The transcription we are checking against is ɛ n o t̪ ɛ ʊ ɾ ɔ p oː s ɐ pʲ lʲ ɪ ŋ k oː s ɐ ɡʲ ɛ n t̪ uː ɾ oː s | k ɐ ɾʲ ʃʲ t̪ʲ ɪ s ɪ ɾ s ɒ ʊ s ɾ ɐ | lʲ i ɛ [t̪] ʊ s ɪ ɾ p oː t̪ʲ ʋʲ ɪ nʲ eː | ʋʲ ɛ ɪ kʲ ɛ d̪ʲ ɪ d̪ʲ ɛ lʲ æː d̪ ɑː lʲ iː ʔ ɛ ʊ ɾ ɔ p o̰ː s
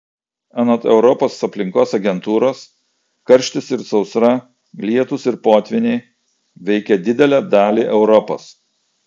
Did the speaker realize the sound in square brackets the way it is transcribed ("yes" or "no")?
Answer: yes